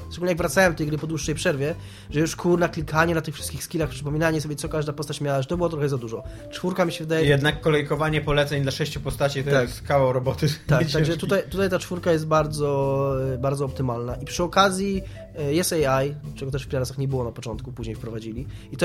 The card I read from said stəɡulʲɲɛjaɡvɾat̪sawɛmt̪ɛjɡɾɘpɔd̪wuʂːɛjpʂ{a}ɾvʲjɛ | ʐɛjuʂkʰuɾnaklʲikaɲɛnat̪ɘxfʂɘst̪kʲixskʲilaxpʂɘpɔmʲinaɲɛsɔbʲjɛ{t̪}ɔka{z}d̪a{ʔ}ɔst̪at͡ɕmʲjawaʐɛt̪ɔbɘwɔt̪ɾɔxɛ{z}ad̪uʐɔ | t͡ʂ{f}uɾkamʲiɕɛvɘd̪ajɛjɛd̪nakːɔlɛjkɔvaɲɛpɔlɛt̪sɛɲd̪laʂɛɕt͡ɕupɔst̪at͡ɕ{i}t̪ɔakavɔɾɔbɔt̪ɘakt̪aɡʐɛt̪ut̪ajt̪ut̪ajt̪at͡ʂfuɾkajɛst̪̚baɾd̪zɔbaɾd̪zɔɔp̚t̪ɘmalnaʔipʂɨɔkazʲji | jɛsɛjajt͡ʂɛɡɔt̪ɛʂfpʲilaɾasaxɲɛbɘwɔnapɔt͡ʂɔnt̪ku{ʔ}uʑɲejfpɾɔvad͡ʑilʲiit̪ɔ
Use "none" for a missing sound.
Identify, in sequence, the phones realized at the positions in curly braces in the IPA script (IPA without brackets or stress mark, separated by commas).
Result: ɛ, t̪, ʐ, p, z, f, i, p